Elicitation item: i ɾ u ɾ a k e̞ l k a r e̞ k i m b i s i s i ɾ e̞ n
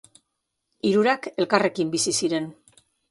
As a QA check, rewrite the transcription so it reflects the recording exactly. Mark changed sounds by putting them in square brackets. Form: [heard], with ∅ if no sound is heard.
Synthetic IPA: i ɾ u ɾ a k e̞ l k a r e̞ k i m b i s i s i ɾ e̞ n

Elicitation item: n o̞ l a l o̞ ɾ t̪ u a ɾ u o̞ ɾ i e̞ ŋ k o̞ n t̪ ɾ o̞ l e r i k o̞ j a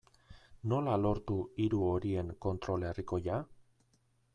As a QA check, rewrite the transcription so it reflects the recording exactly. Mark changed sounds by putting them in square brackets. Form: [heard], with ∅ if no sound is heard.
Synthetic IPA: n o̞ l a l o̞ ɾ t̪ u [i] ɾ u o̞ ɾ i e̞ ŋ k o̞ n t̪ ɾ o̞ l e r i k o̞ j a

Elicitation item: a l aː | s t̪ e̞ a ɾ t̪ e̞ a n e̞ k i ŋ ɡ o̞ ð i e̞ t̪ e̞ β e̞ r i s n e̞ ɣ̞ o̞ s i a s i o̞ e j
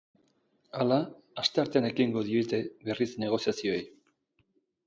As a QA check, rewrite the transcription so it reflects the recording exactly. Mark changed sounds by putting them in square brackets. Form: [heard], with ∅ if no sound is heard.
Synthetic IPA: a l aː | s t̪ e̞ a ɾ t̪ e̞ a n e̞ k i ŋ ɡ o̞ ð i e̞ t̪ e̞ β e̞ r i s n e̞ ɣ̞ o̞ s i a s i o̞ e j

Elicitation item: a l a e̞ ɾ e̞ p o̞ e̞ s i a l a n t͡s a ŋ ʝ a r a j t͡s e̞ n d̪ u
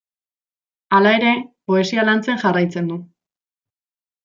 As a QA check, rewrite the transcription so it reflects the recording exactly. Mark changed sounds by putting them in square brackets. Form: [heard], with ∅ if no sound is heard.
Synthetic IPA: a l a e̞ ɾ e̞ p o̞ e̞ s i a l a n t͡s [e] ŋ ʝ a r a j t͡s e̞ n d̪ u

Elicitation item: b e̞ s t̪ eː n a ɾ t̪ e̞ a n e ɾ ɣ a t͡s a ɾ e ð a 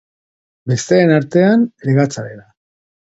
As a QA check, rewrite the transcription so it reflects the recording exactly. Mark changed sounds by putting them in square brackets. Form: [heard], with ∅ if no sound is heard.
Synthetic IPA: b e̞ s t̪ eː n a ɾ t̪ e̞ a n e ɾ ɣ a t͡s a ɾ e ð a

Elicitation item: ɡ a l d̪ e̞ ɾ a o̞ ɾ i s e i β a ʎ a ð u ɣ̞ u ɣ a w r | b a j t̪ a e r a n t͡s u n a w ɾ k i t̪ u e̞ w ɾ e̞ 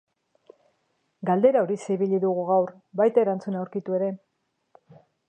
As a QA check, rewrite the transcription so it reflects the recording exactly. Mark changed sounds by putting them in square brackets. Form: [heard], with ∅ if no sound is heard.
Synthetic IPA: ɡ a l d̪ e̞ ɾ a o̞ ɾ i s e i β [i] ʎ [i] ð u ɣ̞ u ɣ a w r | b a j t̪ a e [ɾ] a n t͡s u n a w ɾ k i t̪ u e̞ [∅] ɾ e̞

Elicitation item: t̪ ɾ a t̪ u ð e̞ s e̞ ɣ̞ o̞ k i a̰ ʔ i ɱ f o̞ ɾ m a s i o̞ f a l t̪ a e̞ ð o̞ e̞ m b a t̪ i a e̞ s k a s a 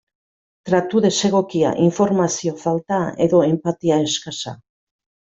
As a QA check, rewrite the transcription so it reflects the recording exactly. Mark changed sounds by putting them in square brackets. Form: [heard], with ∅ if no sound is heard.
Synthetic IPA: t̪ ɾ a t̪ u ð e̞ s e̞ ɣ̞ o̞ k i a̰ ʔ i ɱ f o̞ ɾ m a s i o̞ f a l t̪ a e̞ ð o̞ e̞ m [p] a t̪ i a e̞ s k a s a

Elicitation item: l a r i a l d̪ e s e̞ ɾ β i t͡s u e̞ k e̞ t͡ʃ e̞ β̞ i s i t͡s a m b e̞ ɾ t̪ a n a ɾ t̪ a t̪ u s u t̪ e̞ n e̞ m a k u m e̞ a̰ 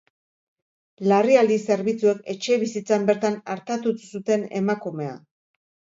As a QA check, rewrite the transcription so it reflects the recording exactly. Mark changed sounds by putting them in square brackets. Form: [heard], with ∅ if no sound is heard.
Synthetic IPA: l a r i a l d̪ [i] s e̞ ɾ β i t͡s u e̞ k e̞ t͡ʃ e̞ β̞ i s i t͡s a m b e̞ ɾ t̪ a n a ɾ t̪ a t̪ u s u t̪ e̞ n e̞ m a k u m e̞ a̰

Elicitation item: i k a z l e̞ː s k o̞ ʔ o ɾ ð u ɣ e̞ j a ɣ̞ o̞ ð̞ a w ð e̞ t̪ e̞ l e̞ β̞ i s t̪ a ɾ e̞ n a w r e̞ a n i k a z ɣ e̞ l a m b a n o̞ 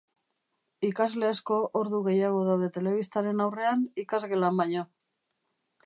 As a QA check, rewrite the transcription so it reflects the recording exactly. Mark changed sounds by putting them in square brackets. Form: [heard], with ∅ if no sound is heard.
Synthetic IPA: i k a z l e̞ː s k o̞ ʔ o ɾ ð u ɣ e̞ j a ɣ̞ o̞ ð̞ a w ð e̞ t̪ e̞ l e̞ β̞ i s t̪ a ɾ e̞ n a w r e̞ a n i k a z ɣ e̞ l a m b a [ɲ] o̞

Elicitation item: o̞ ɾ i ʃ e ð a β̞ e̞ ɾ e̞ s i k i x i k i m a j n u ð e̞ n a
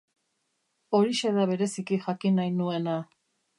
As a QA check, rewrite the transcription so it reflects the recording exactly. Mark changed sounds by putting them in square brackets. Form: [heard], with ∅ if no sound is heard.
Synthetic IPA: o̞ ɾ i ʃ e ð a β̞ e̞ ɾ e̞ s i k i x [a] k i [n] a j n u [∅] e̞ n a

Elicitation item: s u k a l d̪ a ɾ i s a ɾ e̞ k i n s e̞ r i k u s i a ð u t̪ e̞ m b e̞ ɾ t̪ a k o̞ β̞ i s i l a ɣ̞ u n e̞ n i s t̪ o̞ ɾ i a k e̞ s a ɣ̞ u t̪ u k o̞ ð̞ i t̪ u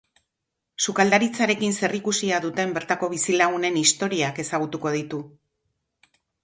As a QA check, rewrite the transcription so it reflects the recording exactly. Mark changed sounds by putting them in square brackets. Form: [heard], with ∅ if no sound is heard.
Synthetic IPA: s u k a l d̪ a ɾ i [t͡s] a ɾ e̞ k i n s e̞ r i k u s i a ð u t̪ e̞ m b e̞ ɾ t̪ a k o̞ β̞ i s i l a ɣ̞ u n e̞ n i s t̪ o̞ ɾ i a k e̞ s a ɣ̞ u t̪ u k o̞ ð̞ i t̪ u

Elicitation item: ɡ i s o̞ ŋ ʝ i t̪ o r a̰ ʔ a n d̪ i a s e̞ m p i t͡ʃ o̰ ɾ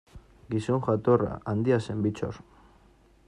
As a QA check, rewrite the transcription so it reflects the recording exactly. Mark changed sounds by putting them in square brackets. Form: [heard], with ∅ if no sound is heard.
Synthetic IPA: ɡ i s o̞ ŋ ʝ [a] t̪ o r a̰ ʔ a n d̪ i a s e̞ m [b] i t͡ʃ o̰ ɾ

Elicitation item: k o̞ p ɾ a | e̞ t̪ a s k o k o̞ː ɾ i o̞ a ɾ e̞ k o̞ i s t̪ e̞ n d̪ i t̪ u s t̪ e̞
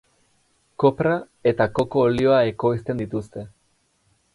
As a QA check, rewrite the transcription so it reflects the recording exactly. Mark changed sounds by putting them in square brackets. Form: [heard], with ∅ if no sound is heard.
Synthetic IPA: k o̞ p ɾ a | e̞ t̪ a [∅] k o k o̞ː [l] i o̞ a [∅] e̞ k o̞ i s t̪ e̞ n d̪ i t̪ u s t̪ e̞

